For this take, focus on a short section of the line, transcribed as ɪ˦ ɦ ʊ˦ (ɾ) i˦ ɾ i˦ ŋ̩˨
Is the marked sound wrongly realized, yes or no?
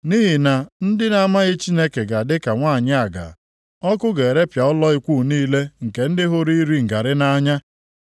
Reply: no